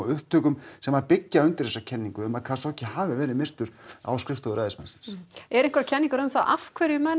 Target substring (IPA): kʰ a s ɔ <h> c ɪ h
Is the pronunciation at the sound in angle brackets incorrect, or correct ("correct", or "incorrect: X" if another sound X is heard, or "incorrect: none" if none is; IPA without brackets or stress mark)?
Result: correct